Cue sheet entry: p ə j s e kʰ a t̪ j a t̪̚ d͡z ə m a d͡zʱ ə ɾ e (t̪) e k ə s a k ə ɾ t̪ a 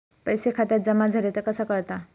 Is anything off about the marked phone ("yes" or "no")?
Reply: no